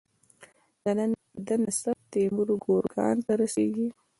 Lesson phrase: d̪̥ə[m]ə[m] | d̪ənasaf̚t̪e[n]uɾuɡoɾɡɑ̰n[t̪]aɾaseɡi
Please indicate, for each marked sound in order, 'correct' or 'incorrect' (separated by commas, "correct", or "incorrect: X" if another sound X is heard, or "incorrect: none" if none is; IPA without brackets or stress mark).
incorrect: n, incorrect: n, incorrect: m, correct